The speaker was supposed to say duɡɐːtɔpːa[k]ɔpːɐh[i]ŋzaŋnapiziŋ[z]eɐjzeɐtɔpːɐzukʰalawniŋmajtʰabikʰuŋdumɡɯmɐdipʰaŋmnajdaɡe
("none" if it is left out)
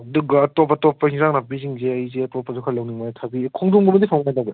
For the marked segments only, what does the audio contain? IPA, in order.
t, i, z

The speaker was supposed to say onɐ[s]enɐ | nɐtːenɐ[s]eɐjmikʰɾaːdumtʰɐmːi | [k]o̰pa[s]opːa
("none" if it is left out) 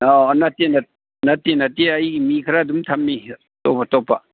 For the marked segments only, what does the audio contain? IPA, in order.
t, t, t, t

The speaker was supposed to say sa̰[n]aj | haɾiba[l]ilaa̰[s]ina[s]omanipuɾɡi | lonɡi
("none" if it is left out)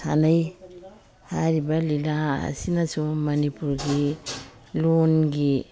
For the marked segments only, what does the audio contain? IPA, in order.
n, l, s, s

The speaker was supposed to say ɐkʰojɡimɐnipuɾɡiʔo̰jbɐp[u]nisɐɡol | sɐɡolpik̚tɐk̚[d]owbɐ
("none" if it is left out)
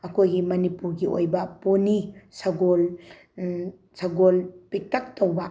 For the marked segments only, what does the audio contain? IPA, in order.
o, t

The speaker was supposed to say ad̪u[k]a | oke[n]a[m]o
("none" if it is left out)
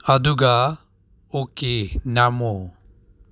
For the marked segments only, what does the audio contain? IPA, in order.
ɡ, n, m

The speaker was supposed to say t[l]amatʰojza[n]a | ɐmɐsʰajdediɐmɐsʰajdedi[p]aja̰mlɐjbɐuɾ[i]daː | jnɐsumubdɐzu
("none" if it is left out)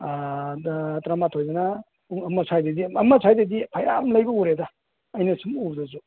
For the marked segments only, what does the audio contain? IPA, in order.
ɾ, n, pʰ, e

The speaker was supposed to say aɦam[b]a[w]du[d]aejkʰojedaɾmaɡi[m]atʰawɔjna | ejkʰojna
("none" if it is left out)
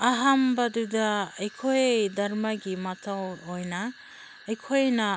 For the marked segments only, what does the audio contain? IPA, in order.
b, none, d, m

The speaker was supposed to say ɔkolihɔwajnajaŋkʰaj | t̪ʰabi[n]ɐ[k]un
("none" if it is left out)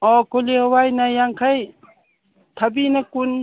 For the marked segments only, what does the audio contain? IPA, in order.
n, k

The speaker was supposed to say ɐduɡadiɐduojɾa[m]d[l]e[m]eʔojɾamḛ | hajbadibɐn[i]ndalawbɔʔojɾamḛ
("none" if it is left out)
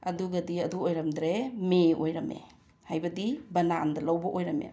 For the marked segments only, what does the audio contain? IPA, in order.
m, ɾ, m, a

